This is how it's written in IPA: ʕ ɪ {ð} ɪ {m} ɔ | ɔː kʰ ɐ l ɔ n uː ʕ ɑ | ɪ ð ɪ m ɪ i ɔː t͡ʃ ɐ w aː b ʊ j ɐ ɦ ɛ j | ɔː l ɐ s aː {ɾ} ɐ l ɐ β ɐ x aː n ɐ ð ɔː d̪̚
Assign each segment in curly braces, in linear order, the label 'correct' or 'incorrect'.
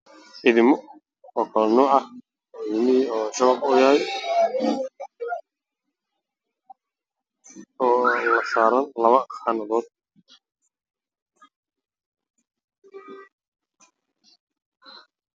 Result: correct, correct, correct

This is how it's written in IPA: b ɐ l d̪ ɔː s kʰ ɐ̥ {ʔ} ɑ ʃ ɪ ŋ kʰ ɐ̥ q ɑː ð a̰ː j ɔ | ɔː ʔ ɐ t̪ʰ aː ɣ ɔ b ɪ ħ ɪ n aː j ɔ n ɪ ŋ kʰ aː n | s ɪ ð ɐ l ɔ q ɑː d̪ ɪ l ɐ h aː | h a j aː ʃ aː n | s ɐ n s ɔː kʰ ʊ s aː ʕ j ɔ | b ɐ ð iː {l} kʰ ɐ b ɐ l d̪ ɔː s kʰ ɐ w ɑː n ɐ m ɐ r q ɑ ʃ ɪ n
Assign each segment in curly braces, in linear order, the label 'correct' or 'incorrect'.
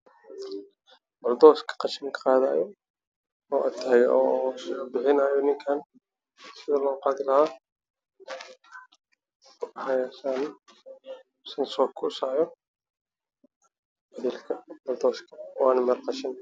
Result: incorrect: q, correct

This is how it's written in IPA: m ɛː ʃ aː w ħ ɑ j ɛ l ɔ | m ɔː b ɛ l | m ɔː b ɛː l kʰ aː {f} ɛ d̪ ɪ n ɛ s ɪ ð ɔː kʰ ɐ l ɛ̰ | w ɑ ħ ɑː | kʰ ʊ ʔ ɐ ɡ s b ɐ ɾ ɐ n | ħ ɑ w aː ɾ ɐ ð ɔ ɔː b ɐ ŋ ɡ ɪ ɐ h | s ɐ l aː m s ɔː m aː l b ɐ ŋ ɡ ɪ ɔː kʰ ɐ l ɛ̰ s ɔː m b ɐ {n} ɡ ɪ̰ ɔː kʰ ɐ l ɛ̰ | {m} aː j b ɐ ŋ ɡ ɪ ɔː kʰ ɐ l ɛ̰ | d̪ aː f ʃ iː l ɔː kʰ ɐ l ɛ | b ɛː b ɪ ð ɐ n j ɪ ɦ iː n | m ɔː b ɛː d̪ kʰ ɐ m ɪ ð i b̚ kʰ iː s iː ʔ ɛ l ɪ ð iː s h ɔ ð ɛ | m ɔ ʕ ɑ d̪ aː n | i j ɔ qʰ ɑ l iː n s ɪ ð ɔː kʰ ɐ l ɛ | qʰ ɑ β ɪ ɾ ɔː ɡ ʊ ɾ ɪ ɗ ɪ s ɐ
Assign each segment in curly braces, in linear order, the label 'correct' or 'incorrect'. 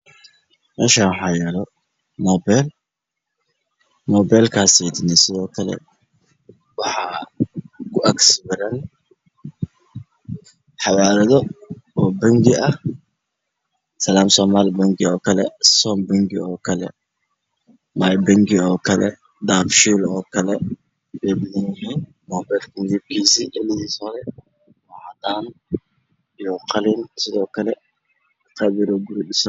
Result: incorrect: s, incorrect: ŋ, correct

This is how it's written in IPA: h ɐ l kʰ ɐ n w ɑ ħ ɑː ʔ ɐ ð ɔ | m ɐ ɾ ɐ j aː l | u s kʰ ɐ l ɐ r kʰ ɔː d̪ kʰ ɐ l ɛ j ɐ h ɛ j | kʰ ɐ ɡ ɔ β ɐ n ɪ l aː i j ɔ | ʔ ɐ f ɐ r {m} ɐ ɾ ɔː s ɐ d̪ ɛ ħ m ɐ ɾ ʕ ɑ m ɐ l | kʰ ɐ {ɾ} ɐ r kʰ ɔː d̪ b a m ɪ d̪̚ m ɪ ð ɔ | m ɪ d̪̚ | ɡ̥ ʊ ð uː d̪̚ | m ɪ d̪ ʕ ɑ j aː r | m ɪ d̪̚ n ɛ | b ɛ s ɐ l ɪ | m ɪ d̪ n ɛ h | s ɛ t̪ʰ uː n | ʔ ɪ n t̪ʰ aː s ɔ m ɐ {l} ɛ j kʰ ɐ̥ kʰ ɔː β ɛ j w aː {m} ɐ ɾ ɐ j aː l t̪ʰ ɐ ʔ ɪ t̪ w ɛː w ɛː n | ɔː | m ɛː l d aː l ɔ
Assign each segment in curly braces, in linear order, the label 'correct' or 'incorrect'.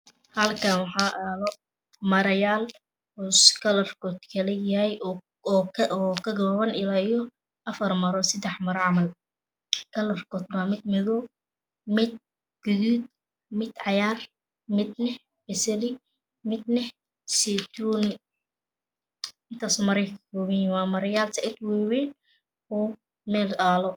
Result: correct, incorrect: l, incorrect: ɾ, correct

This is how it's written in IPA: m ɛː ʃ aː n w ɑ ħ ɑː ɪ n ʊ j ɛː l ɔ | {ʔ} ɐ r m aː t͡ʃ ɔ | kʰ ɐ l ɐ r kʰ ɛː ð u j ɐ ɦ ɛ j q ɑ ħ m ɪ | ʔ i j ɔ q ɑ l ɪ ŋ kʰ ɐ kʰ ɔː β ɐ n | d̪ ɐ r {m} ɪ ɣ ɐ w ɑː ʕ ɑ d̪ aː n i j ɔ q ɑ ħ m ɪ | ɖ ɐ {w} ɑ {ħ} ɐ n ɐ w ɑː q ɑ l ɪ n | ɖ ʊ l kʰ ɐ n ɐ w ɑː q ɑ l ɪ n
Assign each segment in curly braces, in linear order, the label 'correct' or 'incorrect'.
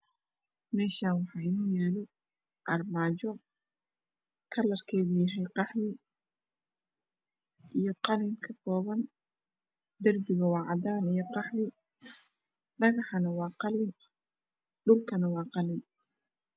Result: correct, incorrect: b, incorrect: ɣ, correct

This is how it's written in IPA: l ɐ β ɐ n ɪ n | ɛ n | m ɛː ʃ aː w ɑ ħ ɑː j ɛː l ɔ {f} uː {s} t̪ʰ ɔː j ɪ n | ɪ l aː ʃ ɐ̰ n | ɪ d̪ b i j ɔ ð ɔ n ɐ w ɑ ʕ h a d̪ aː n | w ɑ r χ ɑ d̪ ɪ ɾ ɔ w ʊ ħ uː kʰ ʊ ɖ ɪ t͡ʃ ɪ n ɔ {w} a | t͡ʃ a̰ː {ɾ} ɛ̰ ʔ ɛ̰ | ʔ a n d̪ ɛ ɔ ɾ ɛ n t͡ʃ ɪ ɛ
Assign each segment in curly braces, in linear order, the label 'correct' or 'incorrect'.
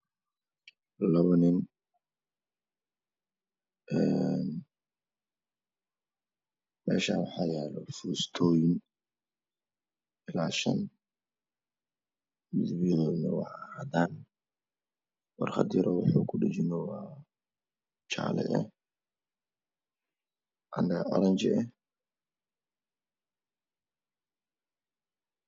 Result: correct, correct, correct, incorrect: l

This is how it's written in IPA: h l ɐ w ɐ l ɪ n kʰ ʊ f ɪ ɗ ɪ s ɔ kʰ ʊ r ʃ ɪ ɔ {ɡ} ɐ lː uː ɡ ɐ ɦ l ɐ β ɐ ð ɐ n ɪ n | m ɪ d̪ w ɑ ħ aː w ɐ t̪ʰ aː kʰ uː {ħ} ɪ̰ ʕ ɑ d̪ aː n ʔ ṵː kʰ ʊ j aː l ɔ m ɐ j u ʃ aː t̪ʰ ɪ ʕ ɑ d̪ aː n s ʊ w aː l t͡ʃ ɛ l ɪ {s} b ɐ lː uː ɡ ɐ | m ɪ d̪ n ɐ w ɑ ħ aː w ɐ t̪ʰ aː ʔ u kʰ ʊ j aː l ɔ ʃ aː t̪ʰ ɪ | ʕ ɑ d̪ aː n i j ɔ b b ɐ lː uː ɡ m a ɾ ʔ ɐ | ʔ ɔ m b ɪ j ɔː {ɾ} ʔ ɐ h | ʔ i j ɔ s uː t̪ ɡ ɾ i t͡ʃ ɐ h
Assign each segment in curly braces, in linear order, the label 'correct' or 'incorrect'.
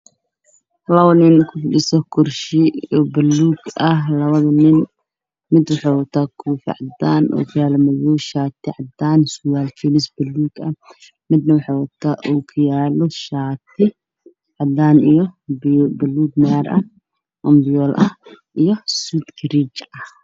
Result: incorrect: b, incorrect: f, correct, incorrect: l

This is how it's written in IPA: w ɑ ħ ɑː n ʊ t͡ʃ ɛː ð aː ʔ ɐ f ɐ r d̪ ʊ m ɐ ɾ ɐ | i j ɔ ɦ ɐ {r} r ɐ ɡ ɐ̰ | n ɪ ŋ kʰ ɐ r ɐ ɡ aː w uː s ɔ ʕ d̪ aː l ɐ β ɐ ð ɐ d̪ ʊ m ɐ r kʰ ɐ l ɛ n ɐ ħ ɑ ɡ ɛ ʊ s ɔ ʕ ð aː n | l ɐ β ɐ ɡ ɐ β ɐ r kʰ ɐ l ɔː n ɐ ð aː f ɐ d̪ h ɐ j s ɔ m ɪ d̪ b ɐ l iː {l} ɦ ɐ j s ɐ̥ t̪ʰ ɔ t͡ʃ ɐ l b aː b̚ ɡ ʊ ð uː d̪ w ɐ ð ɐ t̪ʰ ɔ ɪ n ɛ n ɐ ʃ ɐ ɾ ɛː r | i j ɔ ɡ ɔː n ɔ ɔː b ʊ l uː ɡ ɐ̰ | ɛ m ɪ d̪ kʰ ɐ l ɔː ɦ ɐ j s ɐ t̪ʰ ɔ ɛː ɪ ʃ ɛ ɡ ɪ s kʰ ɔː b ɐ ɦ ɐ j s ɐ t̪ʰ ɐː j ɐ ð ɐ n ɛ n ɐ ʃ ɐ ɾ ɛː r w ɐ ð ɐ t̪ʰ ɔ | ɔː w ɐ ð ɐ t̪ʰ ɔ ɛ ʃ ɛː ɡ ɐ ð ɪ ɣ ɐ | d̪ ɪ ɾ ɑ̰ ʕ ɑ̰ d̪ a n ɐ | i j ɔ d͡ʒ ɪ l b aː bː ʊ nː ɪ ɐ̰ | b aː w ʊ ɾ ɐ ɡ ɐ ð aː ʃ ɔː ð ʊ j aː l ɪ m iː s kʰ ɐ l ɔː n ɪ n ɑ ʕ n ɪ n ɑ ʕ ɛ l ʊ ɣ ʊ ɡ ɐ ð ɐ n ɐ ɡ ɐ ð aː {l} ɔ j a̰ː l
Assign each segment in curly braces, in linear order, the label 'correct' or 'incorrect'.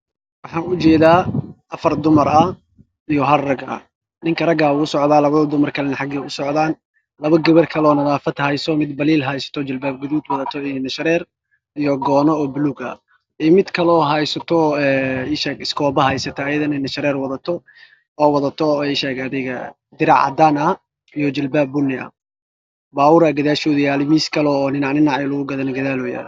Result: correct, correct, correct

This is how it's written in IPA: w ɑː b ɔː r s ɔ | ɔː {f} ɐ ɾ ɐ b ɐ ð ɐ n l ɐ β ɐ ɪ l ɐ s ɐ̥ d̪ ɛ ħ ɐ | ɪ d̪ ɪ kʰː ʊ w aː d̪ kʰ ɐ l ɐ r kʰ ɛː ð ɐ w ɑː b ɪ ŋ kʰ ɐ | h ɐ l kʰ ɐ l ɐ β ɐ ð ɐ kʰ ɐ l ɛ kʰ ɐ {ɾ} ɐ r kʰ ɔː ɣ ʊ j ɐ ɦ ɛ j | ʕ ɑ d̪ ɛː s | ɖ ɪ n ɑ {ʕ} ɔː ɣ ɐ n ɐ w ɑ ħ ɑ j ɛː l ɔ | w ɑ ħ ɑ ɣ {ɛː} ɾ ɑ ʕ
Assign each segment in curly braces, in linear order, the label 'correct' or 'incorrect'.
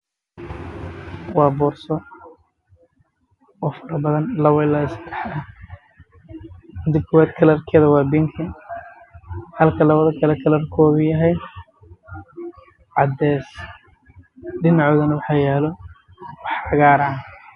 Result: correct, incorrect: l, correct, incorrect: aː

